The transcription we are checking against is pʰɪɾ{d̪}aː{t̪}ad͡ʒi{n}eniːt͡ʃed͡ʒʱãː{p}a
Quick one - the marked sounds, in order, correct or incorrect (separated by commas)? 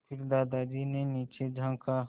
correct, incorrect, correct, incorrect